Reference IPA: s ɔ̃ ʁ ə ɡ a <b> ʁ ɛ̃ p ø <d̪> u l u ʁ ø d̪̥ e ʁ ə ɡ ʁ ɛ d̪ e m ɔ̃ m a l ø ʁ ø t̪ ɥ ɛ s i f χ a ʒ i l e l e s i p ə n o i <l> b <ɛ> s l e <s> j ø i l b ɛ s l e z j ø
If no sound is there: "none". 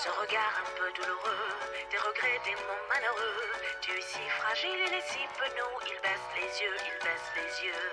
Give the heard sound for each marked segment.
none, d̪, l, ɛ, z

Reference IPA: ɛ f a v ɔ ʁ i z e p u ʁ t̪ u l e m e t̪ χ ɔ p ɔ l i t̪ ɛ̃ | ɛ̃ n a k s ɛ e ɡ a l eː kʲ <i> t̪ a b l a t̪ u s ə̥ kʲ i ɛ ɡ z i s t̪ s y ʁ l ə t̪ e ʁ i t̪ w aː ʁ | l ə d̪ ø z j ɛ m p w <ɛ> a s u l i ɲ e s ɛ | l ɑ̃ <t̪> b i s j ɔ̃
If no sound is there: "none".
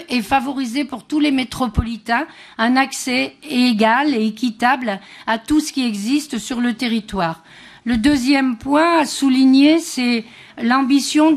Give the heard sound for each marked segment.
i, ɛ̃, none

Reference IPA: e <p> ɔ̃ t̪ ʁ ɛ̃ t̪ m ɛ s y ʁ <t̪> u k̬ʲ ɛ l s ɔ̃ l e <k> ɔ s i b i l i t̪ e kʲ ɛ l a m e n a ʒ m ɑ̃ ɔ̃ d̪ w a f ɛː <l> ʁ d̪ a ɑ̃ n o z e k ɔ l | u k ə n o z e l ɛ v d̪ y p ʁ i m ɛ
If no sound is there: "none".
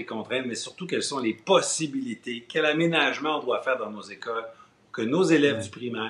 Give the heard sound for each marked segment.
k, t̪, p, none

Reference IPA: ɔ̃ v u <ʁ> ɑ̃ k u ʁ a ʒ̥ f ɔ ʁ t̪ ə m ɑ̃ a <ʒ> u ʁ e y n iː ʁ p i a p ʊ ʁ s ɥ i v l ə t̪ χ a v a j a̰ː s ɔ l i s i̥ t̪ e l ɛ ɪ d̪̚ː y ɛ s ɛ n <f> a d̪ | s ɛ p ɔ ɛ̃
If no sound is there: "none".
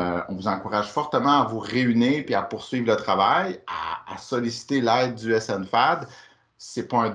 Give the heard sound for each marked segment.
z, v, f

